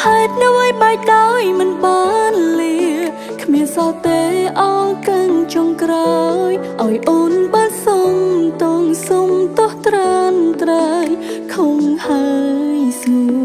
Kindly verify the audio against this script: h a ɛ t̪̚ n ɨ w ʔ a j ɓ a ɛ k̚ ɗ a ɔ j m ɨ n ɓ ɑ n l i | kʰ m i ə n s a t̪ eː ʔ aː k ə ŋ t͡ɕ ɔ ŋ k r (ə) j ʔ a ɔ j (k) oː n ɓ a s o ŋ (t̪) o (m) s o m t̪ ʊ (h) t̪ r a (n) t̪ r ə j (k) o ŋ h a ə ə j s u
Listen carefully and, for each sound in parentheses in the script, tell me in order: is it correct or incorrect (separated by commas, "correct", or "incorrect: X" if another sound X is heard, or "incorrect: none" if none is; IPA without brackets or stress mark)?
incorrect: a, incorrect: ʔ, correct, incorrect: ŋ, correct, correct, incorrect: kʰ